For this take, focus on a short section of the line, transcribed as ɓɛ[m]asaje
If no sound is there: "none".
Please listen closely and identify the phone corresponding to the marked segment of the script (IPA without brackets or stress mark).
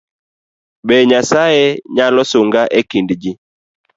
ɲ